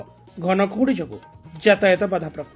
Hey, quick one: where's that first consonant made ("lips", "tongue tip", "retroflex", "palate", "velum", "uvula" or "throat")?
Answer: velum